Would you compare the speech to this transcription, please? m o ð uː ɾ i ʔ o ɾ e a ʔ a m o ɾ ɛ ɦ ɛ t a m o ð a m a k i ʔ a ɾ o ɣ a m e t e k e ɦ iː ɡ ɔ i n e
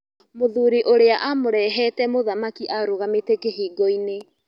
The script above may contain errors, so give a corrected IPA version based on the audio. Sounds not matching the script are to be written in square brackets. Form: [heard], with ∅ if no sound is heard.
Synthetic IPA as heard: m o ð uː ɾ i ʔ o ɾ e a ʔ a m o ɾ ɛ ɦ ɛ t [ɛ] m o ð a m a k i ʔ a ɾ o ɣ a m e t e k e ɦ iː ɡ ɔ i n e

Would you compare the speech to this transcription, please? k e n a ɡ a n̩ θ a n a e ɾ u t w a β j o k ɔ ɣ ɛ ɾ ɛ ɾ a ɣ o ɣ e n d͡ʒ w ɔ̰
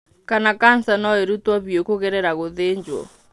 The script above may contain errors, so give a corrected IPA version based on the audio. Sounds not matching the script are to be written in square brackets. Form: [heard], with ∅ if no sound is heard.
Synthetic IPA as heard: k [a] n a [k] a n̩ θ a n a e ɾ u t w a β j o k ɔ ɣ ɛ ɾ ɛ ɾ a ɣ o [ð] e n d͡ʒ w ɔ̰

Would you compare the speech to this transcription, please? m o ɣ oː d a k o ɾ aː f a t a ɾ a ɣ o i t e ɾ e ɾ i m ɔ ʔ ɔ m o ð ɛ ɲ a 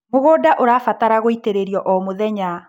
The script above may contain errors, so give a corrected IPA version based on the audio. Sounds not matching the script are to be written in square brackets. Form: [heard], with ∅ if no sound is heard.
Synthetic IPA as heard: m o ɣ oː d a [ʔ] o ɾ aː f a t a ɾ a ɣ o i t e ɾ e ɾ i [∅] ɔ ʔ ɔ m o ð ɛ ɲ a

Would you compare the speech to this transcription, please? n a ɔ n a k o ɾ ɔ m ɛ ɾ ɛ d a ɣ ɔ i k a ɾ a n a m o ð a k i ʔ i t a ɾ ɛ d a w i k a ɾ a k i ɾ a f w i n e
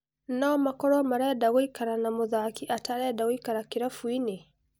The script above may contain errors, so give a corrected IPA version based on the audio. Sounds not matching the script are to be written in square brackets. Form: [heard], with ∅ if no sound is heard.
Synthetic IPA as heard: n a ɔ [m] a k [ɔ] ɾ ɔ m [a] ɾ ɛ d a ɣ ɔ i k a ɾ a n a m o ð a k i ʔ [a] t a ɾ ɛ d a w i k a ɾ a k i ɾ a f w i n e

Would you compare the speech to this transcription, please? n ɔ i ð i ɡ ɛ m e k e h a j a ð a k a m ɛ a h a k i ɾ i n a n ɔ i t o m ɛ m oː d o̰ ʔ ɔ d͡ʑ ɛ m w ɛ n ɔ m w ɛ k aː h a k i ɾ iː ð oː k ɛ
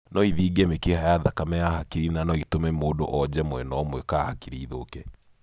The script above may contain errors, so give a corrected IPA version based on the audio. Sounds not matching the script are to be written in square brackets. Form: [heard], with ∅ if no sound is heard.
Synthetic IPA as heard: n ɔ i ð i ɡ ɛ m e k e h a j a ð a k a m ɛ a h a k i ɾ i n a n ɔ i t o m ɛ m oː d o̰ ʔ ɔ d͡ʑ ɛ m w ɛ n ɔ m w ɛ k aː h a k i ɾ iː ð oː k ɛ

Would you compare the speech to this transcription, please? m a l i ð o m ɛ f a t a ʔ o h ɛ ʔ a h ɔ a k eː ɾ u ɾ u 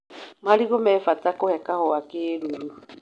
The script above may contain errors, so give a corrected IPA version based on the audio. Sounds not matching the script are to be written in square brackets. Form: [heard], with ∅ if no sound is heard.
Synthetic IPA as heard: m a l i [ɣ] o m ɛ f a t a [k] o h ɛ [k] a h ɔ a k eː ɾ u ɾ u

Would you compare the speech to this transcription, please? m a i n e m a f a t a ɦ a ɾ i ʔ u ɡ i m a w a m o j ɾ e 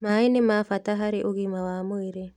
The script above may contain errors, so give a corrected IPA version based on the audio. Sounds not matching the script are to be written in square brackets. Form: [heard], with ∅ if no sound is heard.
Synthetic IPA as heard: m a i n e m a f a t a ɦ a ɾ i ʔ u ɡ i m a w a m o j ɾ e

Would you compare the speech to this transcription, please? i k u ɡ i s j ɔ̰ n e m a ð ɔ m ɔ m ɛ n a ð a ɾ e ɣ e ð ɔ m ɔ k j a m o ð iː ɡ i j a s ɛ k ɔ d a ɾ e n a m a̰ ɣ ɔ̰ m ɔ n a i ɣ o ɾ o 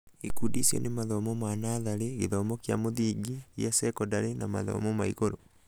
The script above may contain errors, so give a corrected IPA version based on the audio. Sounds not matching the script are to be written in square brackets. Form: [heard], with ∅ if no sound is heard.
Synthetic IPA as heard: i k u [d] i s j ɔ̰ n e m a ð ɔ m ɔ m [a] n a ð a ɾ e ɣ e ð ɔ m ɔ k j a m o ð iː ɡ i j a s ɛ k ɔ d a ɾ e n a m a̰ [ð] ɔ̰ m ɔ [m] a i ɣ o ɾ o

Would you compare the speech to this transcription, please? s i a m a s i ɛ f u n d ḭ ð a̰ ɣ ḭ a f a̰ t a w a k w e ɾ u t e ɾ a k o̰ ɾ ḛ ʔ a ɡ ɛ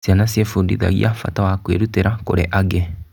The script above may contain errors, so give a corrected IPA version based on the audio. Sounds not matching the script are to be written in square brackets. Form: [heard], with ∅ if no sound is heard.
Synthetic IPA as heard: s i a [n] a s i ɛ f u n d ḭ ð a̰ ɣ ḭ a f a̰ t a w a k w e ɾ u t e ɾ a k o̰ ɾ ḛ ʔ a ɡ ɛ

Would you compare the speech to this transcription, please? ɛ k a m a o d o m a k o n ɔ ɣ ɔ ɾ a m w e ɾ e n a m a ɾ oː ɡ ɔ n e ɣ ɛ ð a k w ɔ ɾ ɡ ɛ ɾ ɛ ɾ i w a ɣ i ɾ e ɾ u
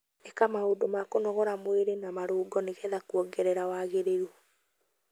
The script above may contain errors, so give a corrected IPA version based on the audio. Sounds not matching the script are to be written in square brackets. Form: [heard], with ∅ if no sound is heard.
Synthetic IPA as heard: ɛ k a m a o d o m a k o n ɔ ɣ ɔ ɾ a m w e ɾ e n a m a ɾ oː ɡ ɔ n e ɣ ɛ ð a k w ɔ [∅] ɡ ɛ ɾ ɛ ɾ [a] w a ɣ [e] ɾ e ɾ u

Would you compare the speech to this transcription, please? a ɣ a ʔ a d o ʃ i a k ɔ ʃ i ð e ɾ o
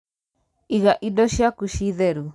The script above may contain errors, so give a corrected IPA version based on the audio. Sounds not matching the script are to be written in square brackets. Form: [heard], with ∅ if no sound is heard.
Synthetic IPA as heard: [i] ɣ a ʔ [i] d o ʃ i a k [u] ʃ i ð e ɾ [u]

